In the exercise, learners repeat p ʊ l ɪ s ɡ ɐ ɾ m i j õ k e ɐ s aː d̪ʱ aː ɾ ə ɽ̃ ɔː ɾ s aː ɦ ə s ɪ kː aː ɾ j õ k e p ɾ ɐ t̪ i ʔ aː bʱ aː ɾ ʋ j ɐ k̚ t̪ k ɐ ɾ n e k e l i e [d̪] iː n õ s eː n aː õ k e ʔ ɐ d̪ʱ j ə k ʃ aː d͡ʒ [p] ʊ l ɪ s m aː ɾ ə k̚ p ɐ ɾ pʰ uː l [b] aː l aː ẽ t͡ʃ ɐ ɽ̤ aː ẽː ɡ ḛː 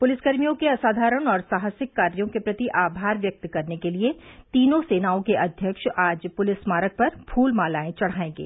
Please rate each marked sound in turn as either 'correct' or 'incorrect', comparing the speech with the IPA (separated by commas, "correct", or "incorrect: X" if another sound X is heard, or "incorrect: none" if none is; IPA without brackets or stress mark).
incorrect: t̪, correct, incorrect: m